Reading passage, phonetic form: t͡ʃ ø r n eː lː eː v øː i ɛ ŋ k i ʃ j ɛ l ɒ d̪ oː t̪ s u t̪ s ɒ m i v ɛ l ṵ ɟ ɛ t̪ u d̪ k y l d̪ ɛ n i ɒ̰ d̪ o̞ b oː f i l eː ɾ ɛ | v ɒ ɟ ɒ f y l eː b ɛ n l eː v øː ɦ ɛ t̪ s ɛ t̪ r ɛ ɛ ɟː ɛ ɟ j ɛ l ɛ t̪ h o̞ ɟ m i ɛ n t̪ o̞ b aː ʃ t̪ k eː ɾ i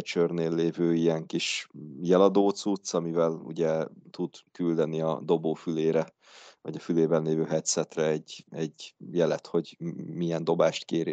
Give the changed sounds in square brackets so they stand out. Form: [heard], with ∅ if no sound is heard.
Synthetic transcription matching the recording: t͡ʃ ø r n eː lː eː v øː i ɛ ŋ k i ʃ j ɛ l ɒ d̪ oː t̪ s u t̪ s ɒ m i v ɛ l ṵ ɟ ɛ t̪ u d̪ k y l d̪ ɛ n i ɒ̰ d̪ o̞ b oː f [y] l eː ɾ ɛ | v ɒ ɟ ɒ f y l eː b ɛ n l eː v øː ɦ ɛ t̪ s ɛ t̪ r ɛ ɛ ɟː ɛ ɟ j ɛ l ɛ t̪ h o̞ ɟ m i ɛ n [d̪] o̞ b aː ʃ t̪ k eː ɾ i